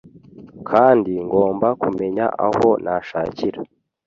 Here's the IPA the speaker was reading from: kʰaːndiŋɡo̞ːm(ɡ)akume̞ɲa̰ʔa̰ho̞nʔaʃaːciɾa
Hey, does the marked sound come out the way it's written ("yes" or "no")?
no